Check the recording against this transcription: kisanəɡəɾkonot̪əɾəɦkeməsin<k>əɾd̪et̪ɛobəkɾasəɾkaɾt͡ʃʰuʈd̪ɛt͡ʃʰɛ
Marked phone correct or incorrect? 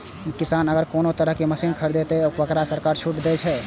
incorrect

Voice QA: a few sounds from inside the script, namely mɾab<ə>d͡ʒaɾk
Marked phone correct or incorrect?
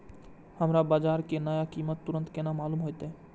incorrect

